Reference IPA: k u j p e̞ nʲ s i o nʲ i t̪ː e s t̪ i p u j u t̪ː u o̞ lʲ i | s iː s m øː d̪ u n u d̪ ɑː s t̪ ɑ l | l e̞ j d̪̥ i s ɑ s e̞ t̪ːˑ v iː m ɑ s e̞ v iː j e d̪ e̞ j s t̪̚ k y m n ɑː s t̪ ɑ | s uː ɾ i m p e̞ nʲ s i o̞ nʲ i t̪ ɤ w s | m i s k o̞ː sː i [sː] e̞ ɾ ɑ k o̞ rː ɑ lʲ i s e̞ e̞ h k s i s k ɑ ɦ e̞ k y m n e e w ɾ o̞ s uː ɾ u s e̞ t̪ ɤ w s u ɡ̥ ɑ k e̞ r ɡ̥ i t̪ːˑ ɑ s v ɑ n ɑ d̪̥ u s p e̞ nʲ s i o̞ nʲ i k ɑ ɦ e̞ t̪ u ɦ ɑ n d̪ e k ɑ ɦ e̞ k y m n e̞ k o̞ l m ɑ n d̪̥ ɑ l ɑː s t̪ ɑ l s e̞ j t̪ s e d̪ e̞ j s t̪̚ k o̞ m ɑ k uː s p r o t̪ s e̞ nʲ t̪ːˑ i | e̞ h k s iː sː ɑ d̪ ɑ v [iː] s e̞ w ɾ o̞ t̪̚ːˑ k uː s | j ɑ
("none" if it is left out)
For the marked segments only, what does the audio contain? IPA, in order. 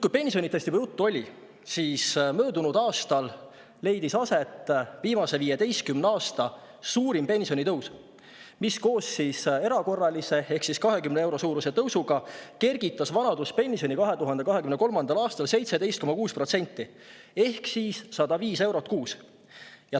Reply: s, iː

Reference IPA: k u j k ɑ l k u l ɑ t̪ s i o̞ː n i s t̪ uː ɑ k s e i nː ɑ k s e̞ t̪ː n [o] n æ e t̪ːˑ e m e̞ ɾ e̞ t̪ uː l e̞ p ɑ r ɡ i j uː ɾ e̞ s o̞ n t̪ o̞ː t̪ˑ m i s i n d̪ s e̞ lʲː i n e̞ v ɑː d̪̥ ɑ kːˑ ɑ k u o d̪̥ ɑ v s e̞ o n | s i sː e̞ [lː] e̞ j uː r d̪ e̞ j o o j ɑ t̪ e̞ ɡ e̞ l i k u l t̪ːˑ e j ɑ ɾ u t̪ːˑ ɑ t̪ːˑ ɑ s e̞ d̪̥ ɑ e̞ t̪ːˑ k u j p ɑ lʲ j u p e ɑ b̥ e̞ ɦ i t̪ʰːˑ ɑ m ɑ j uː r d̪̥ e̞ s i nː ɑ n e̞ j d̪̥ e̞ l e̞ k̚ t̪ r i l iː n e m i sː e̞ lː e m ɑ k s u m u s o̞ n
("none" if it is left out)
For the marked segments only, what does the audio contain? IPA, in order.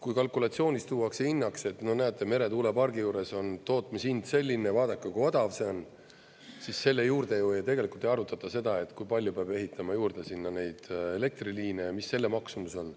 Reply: o, lː

